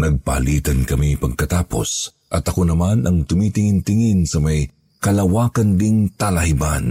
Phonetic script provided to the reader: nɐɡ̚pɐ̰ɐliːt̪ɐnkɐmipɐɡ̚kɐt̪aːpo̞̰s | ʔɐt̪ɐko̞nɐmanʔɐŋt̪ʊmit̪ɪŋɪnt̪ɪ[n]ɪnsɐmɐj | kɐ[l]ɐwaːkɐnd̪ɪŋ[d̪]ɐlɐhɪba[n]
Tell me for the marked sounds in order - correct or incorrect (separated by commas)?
incorrect, correct, incorrect, correct